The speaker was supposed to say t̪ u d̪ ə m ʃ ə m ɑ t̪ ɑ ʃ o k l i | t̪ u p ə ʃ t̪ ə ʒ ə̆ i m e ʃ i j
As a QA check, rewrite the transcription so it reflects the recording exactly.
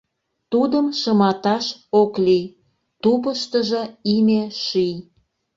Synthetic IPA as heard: t̪ u d̪ ə m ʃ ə m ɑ t̪ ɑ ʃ o k l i | t̪ u p ə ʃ t̪ ə ʒ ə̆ i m e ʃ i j